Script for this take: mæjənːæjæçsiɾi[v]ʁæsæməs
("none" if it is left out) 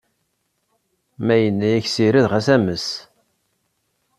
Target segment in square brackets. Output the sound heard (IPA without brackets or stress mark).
ð